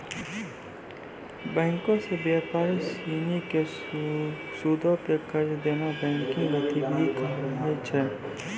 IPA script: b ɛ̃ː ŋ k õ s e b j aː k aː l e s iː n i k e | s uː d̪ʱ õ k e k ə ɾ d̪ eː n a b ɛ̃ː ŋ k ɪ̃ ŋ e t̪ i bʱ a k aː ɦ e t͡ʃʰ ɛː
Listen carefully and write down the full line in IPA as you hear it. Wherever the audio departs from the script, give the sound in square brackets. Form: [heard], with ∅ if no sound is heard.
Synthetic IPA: b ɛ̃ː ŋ k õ s e b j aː [p] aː [ɾ] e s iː n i k e | s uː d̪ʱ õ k e k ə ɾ d̪ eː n a b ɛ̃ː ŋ k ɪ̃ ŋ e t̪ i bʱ [i] k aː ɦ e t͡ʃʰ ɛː